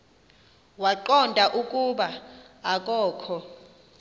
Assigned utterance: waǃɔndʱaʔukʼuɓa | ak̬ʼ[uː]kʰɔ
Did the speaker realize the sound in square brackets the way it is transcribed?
no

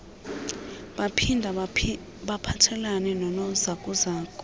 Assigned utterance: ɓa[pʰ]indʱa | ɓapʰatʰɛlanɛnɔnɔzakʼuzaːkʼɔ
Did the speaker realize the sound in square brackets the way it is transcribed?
yes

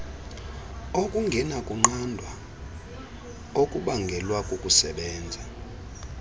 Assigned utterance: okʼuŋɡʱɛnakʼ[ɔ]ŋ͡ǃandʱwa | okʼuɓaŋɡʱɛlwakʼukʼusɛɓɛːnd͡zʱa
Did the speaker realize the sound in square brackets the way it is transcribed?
no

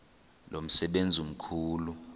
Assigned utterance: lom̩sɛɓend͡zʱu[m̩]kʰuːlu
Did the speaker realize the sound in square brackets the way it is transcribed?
yes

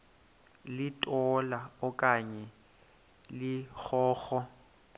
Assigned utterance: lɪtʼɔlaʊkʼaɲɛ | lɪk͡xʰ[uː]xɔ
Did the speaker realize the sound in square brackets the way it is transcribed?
no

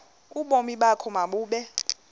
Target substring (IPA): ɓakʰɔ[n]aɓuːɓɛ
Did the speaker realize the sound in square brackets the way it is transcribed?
no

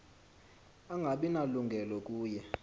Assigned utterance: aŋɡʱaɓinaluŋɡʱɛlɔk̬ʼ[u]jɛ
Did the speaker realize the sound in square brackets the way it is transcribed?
no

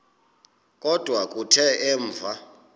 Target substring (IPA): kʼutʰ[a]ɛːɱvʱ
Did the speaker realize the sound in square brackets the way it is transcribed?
no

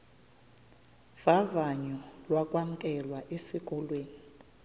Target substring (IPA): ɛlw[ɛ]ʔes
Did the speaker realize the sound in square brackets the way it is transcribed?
no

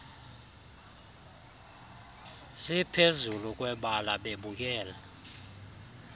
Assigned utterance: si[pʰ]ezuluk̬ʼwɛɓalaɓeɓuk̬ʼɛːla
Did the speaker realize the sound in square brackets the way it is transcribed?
yes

